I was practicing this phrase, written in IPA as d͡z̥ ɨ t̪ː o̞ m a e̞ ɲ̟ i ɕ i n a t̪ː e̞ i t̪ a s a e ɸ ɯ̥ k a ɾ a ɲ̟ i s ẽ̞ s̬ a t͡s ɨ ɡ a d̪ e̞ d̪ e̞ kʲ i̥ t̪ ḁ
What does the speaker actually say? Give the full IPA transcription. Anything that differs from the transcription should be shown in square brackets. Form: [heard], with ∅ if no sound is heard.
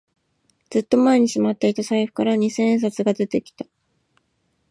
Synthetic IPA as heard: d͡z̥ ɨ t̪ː o̞ m a e̞ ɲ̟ i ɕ i [m] a t̪ː e̞ i t̪ a s a [i] ɸ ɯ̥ k a ɾ a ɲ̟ i s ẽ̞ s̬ a t͡s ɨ ɡ a d̪ e̞ [t̪] e̞ kʲ i̥ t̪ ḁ